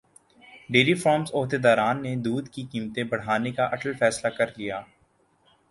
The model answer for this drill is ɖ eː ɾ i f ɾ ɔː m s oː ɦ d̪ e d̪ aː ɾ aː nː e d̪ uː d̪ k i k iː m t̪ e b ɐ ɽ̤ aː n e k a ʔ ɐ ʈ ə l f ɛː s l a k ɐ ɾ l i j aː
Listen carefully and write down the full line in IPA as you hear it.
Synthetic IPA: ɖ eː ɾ i f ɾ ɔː m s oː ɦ d̪ e d̪ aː ɾ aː nː e d̪ uː d̪ k i k iː m t̪ ẽ b ɐ ɽ̤ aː n e k a ʔ ɐ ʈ ə l f ɛː s l a k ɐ ɾ l i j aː